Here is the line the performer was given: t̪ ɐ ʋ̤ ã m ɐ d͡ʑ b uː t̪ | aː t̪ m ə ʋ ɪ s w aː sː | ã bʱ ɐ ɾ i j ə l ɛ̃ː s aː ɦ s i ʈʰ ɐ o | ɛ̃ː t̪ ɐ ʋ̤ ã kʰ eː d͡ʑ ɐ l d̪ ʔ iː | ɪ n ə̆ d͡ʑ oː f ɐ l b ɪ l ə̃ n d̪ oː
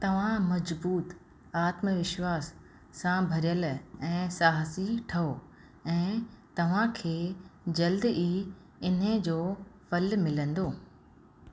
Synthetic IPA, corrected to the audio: t̪ ɐ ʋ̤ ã m ɐ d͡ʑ b uː t̪ | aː t̪ m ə ʋ ɪ ʃ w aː sː | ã bʱ ɐ ɾ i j ə l ɛ̃ː s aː ɦ s i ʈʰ ɐ o | ɛ̃ː t̪ ɐ ʋ̤ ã kʰ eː d͡ʑ ɐ l d̪ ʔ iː | ɪ n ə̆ d͡ʑ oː f ɐ l m ɪ l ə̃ n d̪ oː